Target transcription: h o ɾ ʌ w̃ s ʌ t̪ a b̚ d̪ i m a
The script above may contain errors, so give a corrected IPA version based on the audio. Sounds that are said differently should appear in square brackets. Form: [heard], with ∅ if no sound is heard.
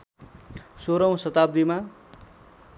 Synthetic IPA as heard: [s] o ɾ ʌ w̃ s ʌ t̪ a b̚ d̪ i m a